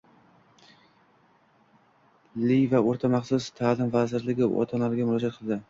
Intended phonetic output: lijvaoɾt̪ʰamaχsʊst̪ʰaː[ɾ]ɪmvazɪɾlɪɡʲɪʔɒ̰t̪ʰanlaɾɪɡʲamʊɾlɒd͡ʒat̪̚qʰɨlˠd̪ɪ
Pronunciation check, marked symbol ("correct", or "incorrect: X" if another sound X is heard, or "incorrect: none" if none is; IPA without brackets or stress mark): incorrect: l